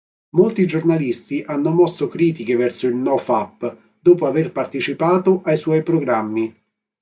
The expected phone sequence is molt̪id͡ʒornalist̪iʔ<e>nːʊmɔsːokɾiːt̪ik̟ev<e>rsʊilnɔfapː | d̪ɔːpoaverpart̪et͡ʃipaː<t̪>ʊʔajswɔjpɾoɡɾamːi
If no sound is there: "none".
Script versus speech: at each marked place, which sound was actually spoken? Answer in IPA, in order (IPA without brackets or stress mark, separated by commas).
a, ɛ, t̪